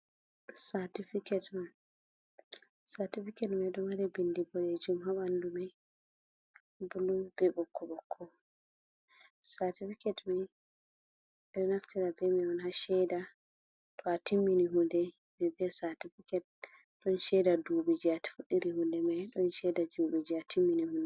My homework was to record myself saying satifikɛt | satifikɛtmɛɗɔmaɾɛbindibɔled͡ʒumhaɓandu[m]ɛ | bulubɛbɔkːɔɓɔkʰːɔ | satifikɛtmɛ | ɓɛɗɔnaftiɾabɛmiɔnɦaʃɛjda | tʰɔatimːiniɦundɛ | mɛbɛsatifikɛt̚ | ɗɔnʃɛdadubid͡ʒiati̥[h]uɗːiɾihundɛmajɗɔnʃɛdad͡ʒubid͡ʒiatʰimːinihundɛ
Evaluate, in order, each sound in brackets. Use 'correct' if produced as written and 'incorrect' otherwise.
correct, incorrect

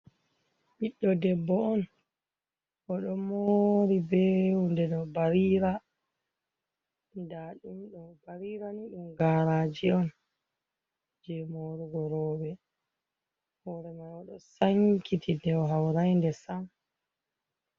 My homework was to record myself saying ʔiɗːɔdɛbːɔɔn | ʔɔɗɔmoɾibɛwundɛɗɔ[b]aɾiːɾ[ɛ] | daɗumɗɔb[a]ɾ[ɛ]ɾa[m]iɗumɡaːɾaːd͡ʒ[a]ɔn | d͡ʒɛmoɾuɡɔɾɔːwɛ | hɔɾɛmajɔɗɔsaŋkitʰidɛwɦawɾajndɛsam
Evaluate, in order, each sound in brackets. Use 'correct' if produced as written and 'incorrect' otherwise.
correct, incorrect, correct, incorrect, incorrect, incorrect

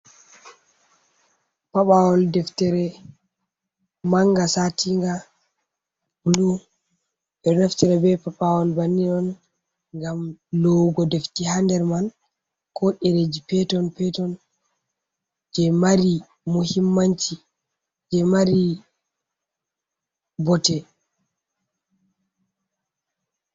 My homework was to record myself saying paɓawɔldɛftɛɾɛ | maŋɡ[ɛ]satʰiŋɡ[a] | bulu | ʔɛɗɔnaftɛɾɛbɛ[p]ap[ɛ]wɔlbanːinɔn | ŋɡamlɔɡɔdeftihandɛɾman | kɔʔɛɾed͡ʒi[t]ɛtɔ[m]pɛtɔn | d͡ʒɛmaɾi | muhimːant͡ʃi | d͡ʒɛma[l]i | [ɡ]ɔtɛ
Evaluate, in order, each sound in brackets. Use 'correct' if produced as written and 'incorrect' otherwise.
incorrect, correct, correct, incorrect, incorrect, incorrect, incorrect, incorrect

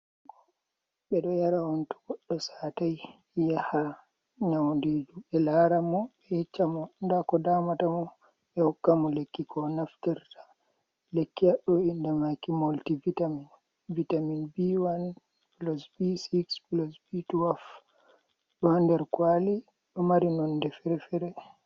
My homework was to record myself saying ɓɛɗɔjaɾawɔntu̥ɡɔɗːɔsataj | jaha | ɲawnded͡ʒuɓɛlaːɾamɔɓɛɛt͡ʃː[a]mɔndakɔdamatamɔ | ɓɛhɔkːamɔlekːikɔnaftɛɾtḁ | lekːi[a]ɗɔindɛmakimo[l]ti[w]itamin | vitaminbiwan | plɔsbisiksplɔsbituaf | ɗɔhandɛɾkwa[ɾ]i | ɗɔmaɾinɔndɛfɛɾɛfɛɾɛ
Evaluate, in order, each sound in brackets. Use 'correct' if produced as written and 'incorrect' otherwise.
correct, correct, correct, incorrect, incorrect

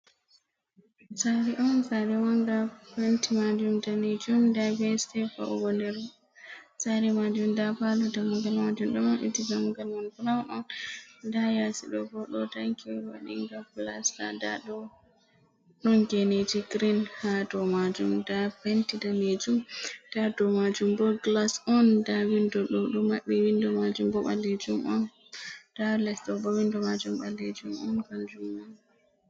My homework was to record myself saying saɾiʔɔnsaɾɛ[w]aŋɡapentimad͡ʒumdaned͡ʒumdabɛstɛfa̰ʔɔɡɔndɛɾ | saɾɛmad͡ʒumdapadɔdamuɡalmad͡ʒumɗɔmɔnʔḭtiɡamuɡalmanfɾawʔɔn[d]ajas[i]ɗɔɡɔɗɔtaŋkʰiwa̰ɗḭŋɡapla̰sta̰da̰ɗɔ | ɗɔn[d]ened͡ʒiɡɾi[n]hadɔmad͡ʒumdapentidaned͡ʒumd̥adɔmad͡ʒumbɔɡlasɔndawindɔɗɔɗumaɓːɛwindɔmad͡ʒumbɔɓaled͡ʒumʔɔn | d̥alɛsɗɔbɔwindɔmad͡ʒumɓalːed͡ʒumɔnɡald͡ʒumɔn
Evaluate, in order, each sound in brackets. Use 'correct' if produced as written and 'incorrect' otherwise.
correct, correct, correct, incorrect, correct

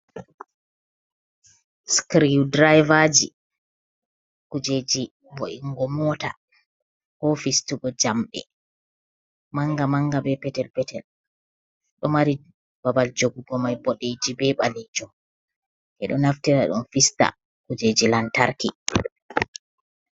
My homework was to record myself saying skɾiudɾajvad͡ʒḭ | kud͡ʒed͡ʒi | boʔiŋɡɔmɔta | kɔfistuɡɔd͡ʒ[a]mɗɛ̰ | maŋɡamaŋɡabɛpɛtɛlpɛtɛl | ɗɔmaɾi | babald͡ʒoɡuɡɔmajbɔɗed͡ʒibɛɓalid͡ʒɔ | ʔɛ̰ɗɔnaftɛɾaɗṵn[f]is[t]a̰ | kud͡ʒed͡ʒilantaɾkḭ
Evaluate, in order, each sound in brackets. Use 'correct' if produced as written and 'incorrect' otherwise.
correct, correct, correct

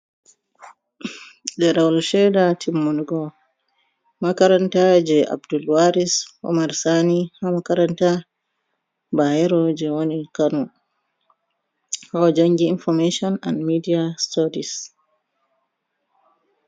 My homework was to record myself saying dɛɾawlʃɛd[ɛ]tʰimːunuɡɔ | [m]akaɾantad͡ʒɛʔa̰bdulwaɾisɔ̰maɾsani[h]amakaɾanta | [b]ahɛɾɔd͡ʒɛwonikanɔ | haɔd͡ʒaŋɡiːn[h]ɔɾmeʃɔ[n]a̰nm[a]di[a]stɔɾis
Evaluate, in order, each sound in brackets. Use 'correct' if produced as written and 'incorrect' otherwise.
incorrect, correct, correct, correct, incorrect, correct, incorrect, correct

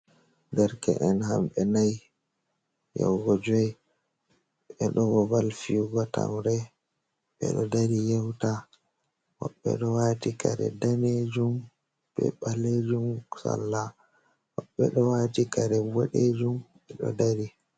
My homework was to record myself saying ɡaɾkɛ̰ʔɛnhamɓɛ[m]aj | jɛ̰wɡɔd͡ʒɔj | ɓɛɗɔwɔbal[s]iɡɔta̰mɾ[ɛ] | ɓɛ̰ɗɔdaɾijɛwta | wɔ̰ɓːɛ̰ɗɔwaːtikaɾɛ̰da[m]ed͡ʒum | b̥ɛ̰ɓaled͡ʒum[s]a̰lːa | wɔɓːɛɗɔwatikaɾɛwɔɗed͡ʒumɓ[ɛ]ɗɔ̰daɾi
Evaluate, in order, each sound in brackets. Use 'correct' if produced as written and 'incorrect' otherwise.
incorrect, incorrect, correct, incorrect, correct, correct

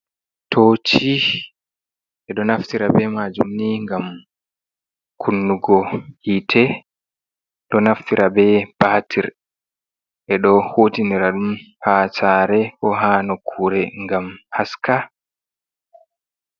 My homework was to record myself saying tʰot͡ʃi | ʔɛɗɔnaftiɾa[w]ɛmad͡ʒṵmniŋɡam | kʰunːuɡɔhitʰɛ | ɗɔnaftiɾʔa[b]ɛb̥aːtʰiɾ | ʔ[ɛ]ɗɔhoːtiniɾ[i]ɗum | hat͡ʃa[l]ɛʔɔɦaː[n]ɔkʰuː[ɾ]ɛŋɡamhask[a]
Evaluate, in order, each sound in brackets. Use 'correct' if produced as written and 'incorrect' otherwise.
incorrect, correct, correct, incorrect, incorrect, correct, correct, correct

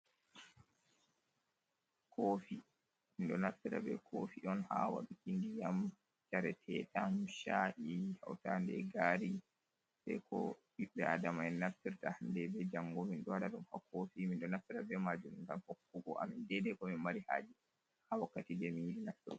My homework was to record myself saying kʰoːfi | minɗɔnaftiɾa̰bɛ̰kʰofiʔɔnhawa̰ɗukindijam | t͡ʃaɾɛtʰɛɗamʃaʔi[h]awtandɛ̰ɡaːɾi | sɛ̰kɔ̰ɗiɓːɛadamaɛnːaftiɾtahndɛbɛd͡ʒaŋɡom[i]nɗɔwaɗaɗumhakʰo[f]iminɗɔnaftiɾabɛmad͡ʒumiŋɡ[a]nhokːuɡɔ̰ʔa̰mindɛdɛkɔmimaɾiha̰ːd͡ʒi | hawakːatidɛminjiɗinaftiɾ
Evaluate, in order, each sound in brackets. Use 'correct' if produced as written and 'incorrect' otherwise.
correct, correct, correct, correct

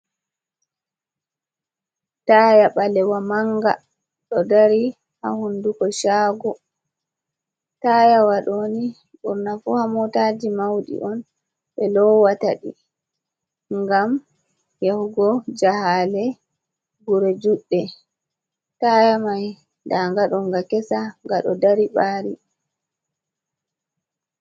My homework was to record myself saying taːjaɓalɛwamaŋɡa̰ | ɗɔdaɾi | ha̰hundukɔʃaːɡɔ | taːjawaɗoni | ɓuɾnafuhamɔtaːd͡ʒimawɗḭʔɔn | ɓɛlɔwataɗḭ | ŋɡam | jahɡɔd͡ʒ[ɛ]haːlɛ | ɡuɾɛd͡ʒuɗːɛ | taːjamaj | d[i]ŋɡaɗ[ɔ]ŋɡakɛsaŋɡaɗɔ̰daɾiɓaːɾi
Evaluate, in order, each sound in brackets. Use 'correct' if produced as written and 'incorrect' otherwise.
incorrect, incorrect, correct

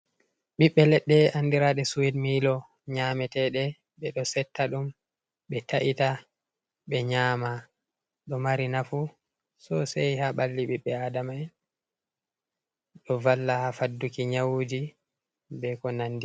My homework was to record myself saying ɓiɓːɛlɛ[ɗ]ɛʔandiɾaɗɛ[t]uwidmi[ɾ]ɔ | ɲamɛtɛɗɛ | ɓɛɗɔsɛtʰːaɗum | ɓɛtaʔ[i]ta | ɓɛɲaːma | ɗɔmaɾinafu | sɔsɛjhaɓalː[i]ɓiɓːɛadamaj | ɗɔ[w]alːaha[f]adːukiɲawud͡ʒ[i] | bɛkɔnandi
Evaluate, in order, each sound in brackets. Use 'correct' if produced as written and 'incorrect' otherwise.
incorrect, incorrect, incorrect, correct, correct, incorrect, correct, correct

